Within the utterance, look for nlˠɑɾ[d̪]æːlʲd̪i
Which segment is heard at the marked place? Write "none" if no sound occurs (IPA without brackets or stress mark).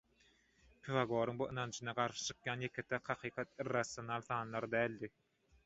d̪